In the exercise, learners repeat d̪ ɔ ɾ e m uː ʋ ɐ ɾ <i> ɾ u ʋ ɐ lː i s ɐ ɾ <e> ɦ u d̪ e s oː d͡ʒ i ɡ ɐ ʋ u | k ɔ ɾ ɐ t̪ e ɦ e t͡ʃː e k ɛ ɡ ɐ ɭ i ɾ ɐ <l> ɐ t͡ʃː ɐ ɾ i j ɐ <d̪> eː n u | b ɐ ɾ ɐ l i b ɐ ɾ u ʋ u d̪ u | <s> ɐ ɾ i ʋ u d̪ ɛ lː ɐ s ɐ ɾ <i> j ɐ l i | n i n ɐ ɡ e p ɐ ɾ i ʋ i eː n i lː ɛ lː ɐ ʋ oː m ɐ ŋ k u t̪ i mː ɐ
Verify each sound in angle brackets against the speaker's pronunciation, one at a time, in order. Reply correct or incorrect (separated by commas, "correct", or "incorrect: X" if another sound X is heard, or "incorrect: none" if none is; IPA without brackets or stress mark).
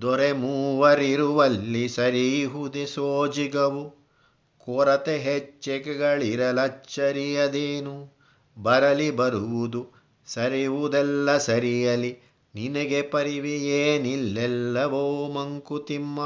correct, incorrect: i, correct, correct, correct, correct